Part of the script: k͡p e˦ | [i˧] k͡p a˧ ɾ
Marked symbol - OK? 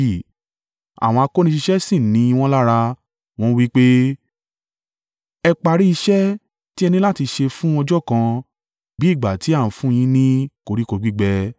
no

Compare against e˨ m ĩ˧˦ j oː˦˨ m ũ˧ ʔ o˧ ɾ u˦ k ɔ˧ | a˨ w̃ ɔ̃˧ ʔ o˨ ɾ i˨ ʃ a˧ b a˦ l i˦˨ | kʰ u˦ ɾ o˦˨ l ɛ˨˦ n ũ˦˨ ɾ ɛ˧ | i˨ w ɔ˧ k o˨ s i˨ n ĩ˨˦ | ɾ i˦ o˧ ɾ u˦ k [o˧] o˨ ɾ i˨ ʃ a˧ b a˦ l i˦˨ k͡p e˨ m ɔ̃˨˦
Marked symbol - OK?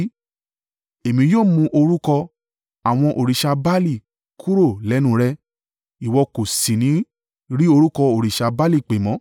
no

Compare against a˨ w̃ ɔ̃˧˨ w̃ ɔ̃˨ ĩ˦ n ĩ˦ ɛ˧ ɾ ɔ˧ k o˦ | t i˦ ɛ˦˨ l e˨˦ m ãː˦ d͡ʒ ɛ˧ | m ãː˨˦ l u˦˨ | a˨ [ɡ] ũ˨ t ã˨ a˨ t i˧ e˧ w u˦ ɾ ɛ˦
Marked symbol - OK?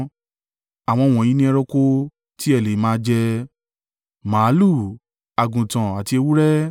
yes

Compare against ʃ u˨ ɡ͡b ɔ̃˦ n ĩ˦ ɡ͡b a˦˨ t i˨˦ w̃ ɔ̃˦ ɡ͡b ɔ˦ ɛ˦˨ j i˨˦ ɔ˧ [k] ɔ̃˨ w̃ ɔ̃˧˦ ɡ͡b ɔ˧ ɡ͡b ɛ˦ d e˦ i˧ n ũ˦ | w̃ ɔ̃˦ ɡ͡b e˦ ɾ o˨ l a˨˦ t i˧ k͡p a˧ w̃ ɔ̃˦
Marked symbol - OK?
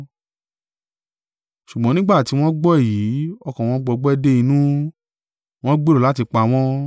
yes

